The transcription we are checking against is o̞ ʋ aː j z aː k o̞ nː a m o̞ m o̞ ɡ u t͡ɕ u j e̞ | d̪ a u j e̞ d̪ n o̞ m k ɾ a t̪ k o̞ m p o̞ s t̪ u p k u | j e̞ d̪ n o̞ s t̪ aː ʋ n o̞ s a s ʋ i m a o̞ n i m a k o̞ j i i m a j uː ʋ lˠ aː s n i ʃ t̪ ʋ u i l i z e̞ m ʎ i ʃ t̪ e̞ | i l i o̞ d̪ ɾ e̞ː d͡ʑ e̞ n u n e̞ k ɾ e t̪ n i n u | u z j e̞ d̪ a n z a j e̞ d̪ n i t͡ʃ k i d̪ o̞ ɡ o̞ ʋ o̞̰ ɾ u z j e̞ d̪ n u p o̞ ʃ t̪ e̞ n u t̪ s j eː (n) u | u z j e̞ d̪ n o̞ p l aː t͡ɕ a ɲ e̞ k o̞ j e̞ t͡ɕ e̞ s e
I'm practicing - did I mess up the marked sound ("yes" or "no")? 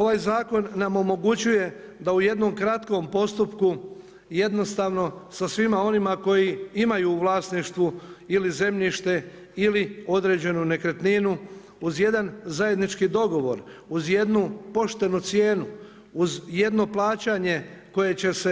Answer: no